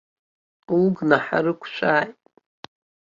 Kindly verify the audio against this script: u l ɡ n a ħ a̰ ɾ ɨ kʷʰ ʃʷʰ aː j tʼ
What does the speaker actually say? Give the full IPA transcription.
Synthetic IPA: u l ɡ n a ħ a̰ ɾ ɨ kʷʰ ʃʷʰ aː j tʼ